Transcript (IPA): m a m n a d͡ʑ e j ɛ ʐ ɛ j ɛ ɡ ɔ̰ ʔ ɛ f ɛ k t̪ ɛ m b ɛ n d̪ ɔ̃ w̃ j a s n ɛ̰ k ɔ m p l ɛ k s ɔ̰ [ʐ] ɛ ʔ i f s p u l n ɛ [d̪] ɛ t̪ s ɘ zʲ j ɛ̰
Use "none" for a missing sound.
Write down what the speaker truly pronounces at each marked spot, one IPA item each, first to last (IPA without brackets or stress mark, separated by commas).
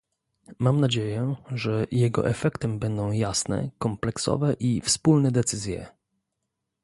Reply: v, d̪